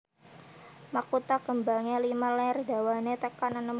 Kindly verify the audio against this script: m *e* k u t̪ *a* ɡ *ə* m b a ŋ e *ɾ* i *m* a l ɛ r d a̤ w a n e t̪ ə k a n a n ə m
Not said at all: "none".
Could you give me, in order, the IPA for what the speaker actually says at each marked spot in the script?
a, a, ə, l, m

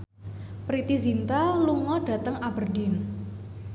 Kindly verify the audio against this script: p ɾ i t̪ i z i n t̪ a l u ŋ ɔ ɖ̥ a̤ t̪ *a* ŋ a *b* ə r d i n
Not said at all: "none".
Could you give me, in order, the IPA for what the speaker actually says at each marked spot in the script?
ə, b

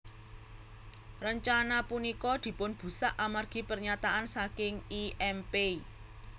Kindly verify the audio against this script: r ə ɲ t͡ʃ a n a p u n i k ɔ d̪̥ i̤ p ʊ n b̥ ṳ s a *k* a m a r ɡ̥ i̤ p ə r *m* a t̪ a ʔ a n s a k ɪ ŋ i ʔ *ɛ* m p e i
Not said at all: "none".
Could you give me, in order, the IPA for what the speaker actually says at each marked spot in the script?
ʔ, ɲ, ɛ

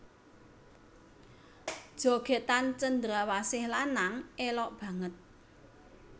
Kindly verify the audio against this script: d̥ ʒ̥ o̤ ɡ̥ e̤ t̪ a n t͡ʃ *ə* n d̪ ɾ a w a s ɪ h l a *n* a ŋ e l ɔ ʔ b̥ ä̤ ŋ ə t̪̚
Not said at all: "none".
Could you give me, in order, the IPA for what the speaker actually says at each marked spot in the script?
ə, n

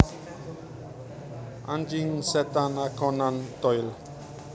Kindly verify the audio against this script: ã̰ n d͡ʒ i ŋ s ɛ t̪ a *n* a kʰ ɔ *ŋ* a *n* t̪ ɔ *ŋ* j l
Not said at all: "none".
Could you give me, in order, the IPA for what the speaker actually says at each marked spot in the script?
n, n, n, none

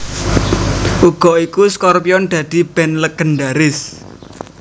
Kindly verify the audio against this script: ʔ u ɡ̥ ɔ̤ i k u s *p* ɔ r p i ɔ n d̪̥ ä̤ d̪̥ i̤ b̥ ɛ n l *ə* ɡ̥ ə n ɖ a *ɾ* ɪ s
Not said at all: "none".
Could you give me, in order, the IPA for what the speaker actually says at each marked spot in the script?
k, ə, ɾ

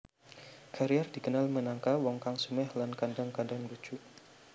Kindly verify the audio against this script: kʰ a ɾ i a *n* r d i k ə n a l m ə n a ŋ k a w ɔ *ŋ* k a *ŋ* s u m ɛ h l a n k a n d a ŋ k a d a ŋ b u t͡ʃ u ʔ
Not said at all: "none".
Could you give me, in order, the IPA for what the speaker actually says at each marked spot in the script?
none, ŋ, ŋ

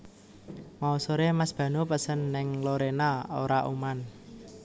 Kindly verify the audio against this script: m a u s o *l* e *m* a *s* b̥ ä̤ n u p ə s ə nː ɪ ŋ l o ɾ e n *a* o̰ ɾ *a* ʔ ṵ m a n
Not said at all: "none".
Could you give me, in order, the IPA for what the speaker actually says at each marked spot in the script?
ɾ, m, s, a, a

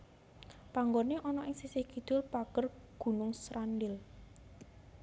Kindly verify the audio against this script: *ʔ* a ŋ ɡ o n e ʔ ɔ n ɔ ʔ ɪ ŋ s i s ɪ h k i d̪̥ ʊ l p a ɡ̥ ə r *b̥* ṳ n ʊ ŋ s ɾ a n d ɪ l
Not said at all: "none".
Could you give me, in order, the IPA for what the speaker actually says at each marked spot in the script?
p, ɡ̥

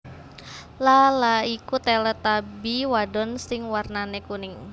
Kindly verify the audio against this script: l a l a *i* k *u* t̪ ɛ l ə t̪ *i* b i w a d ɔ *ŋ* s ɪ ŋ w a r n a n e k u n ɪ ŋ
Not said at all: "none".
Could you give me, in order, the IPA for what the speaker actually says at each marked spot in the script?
i, u, a, n

